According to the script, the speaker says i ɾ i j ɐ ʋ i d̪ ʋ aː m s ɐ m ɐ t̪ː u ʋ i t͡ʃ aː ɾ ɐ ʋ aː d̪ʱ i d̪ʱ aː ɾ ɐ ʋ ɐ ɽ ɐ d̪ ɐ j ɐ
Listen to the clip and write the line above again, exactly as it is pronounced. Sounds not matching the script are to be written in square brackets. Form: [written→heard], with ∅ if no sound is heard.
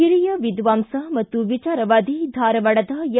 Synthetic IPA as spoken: i ɾ i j ɐ ʋ i d̪ ʋ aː m s ɐ m ɐ t̪ː u ʋ i t͡ʃ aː ɾ ɐ ʋ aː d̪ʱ i d̪ʱ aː ɾ ɐ ʋ ɐ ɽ ɐ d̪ ɐ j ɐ

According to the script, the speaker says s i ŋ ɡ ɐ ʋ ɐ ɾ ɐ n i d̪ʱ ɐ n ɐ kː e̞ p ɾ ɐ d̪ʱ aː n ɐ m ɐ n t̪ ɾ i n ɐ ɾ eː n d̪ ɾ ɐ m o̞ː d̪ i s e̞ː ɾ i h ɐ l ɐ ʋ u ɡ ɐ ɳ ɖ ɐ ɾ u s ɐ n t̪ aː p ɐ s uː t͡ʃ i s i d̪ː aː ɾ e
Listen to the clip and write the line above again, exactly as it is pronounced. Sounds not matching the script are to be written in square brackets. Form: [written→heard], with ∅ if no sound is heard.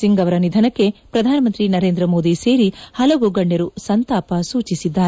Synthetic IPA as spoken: s i ŋ ɡ ɐ ʋ ɐ ɾ ɐ n i d̪ʱ ɐ n ɐ kː e̞ p ɾ ɐ d̪ʱ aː n ɐ m ɐ n t̪ ɾ i n ɐ ɾ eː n d̪ ɾ ɐ m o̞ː d̪ i s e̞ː ɾ i h ɐ l ɐ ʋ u ɡ ɐ ɳ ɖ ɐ ɾ u s ɐ n t̪ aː p ɐ s uː t͡ʃ i s i d̪ː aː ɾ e

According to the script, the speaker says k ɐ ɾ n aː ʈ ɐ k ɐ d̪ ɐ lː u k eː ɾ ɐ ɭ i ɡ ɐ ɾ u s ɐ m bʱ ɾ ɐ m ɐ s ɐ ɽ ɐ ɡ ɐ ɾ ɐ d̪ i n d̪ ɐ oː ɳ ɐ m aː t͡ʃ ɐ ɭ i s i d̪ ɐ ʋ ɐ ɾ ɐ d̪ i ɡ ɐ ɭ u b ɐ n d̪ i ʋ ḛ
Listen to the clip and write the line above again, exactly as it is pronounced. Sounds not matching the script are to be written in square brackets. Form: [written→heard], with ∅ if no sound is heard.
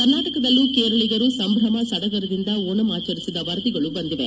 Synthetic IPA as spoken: k ɐ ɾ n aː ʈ ɐ k ɐ d̪ ɐ lː u k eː ɾ ɐ ɭ i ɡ ɐ ɾ u s ɐ m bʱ ɾ ɐ m ɐ s ɐ ɽ ɐ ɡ ɐ ɾ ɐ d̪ i n d̪ ɐ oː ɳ ɐ m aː t͡ʃ ɐ [ɭ→ɾ] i s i d̪ ɐ ʋ ɐ ɾ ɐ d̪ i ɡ ɐ ɭ u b ɐ n d̪ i ʋ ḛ

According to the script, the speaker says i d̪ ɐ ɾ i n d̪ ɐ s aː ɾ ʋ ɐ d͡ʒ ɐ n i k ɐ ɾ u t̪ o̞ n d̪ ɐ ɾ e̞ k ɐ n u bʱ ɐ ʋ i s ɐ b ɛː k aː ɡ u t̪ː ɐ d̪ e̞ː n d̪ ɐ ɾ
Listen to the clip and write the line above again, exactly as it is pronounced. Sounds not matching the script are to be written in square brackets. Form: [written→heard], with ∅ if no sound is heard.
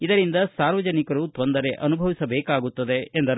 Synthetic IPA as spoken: i d̪ ɐ ɾ i n d̪ ɐ s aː ɾ ʋ ɐ d͡ʒ ɐ n i k ɐ ɾ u t̪ o̞ n d̪ ɐ ɾ e̞ [k→ʔ] ɐ n u bʱ ɐ ʋ i s ɐ b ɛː k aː ɡ u t̪ː ɐ d̪ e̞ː n d̪ ɐ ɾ

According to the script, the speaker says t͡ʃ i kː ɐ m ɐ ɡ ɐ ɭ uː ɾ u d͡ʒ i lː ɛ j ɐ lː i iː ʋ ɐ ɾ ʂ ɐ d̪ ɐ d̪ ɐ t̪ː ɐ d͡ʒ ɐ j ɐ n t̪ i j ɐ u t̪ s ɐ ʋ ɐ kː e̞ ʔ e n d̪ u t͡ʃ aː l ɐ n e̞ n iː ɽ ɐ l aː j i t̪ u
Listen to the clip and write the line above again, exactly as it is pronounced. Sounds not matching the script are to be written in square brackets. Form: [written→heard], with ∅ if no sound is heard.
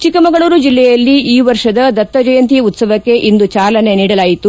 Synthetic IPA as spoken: t͡ʃ i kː ɐ m ɐ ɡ ɐ ɭ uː ɾ u d͡ʒ i lː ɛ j ɐ lː i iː ʋ ɐ ɾ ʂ ɐ d̪ ɐ d̪ ɐ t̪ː ɐ d͡ʒ ɐ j ɐ n t̪ i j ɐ u t̪ s ɐ ʋ ɐ kː e̞ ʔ [e→i] n d̪ u t͡ʃ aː l ɐ n e̞ n iː ɽ ɐ l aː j i t̪ u

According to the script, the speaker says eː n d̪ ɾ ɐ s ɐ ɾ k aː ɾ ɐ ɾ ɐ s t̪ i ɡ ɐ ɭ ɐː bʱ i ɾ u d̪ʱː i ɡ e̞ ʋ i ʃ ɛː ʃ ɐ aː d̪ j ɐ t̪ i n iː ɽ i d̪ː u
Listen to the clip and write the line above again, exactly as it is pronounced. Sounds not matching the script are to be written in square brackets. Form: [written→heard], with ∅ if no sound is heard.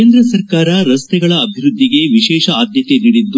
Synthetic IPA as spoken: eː n d̪ ɾ ɐ s ɐ ɾ k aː ɾ ɐ ɾ ɐ s t̪ [i→ɛ] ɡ ɐ ɭ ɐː bʱ i ɾ u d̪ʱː i ɡ e̞ ʋ i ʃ ɛː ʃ ɐ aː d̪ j ɐ t̪ [i→e] n iː ɽ i d̪ː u

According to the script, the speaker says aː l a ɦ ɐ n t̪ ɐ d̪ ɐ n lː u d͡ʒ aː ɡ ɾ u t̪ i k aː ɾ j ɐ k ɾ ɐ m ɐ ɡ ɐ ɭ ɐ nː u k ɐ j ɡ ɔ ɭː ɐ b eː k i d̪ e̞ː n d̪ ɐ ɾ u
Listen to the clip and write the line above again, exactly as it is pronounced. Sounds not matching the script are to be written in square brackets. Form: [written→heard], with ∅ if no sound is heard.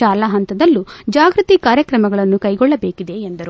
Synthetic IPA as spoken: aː l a ɦ ɐ n t̪ ɐ d̪ ɐ [n→∅] lː u d͡ʒ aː ɡ ɾ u t̪ i k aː ɾ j ɐ k ɾ ɐ m ɐ ɡ ɐ ɭ ɐ nː u k ɐ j ɡ ɔ ɭː ɐ b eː k i d̪ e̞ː n d̪ ɐ ɾ u

